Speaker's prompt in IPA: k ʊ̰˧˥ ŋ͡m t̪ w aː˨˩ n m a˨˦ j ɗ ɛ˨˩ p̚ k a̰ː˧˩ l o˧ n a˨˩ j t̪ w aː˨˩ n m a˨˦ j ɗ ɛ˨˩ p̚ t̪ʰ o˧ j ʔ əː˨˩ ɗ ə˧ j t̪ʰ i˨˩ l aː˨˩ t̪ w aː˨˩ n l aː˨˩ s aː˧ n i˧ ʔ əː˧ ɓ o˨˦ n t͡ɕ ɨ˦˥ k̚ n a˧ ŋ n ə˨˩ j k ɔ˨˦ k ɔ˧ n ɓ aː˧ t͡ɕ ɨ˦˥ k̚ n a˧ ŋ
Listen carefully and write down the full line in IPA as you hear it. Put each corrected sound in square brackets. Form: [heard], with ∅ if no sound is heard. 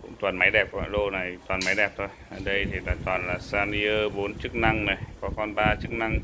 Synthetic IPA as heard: k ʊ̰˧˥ ŋ͡m t̪ w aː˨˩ n m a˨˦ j ɗ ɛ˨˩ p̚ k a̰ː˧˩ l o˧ n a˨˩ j t̪ w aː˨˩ n m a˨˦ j ɗ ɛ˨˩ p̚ t̪ʰ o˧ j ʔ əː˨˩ ɗ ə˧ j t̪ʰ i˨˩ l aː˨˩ t̪ w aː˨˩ n l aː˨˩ s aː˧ n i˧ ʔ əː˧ ɓ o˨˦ n t͡ɕ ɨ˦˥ k̚ n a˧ ŋ n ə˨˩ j k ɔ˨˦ k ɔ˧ n ɓ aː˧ t͡ɕ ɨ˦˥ k̚ n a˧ ŋ